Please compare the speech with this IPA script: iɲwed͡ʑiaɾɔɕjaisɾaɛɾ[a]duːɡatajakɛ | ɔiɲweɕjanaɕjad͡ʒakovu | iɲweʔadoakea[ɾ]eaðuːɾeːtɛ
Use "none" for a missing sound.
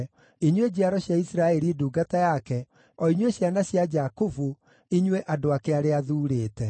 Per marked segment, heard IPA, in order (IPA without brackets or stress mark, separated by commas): i, ɾ